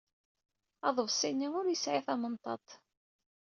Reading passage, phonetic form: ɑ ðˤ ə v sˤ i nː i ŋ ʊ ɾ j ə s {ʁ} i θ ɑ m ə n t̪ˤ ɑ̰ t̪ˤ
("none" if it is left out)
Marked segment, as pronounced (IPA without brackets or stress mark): ʕ